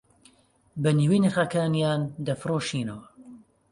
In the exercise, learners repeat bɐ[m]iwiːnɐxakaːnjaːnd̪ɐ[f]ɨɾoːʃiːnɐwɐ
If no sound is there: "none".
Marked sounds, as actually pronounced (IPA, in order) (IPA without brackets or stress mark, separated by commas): n, f